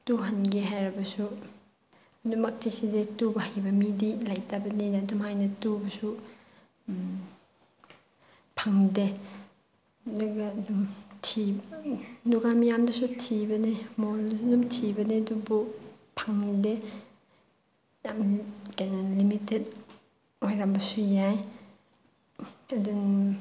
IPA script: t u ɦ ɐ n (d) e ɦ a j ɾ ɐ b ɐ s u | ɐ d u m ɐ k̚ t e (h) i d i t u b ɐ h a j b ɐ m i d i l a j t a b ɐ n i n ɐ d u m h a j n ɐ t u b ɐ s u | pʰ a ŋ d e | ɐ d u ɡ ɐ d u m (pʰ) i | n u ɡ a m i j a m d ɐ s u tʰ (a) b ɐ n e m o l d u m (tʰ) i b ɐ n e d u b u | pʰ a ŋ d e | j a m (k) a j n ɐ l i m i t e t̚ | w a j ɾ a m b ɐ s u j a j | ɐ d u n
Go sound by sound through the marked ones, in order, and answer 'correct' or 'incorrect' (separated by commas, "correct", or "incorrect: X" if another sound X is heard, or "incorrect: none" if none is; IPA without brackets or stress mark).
incorrect: ɡ, incorrect: s, incorrect: tʰ, incorrect: i, correct, correct